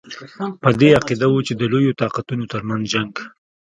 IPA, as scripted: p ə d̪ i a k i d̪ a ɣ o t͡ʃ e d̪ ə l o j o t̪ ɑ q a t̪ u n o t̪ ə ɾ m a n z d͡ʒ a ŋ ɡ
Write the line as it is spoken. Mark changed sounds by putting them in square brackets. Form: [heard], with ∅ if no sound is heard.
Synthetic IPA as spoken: p ə d̪ [e] a [q] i d̪ a [w] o t͡ʃ e d̪ ə l o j o t̪ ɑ q a t̪ u n o t̪ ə ɾ m a n z d͡ʒ a ŋ ɡ